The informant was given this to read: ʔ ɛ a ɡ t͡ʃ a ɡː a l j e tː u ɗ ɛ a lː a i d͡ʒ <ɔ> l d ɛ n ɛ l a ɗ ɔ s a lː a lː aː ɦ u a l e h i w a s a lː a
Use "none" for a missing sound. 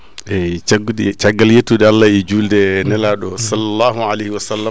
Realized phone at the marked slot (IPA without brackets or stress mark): u